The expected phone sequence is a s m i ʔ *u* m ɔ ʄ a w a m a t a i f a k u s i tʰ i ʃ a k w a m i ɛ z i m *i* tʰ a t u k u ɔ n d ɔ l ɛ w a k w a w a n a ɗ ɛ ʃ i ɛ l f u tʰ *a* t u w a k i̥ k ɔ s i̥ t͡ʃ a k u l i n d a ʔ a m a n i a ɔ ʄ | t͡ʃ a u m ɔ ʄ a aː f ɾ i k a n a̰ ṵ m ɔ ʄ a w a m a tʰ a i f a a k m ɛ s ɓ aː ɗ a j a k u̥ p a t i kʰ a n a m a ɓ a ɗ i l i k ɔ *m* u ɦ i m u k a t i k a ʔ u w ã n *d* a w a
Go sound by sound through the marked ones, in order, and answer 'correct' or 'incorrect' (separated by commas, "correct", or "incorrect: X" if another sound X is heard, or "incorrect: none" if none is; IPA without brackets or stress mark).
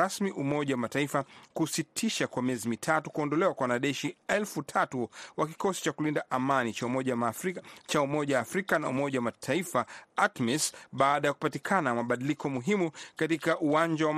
correct, correct, correct, correct, incorrect: d͡ʒ